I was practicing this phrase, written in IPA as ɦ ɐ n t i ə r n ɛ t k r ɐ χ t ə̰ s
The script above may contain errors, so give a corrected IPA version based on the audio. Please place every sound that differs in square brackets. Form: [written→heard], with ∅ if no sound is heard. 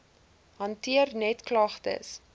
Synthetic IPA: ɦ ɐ n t i ə r n ɛ t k [r→l] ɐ χ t ə̰ s